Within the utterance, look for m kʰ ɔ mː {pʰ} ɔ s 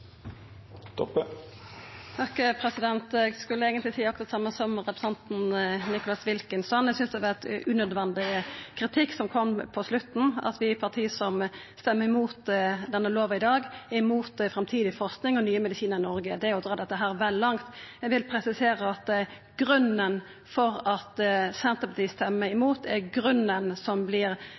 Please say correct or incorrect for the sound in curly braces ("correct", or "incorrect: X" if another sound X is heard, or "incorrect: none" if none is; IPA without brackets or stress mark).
correct